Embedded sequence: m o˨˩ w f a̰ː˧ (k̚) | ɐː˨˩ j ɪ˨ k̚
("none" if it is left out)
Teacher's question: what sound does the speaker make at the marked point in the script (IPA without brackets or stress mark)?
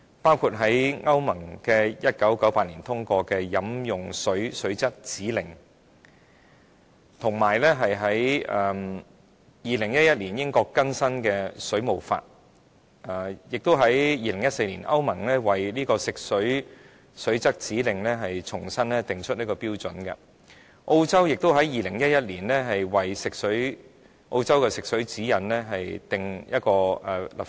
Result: t̚